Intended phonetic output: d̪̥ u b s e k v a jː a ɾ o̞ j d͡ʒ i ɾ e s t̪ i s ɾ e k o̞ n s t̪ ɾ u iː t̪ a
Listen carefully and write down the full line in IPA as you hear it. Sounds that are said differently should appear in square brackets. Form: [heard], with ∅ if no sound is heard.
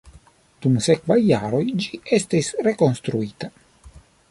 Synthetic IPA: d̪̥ u [m] s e k v a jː a ɾ o̞ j d͡ʒ i [∅] e s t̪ i s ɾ e k o̞ n s t̪ ɾ u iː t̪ a